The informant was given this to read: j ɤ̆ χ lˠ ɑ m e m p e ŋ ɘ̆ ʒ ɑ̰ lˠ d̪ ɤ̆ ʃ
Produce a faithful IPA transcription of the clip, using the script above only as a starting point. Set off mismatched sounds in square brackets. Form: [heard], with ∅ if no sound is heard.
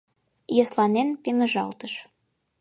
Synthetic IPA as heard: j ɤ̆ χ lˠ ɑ [n] e [n] p e ŋ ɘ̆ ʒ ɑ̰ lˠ [t̪] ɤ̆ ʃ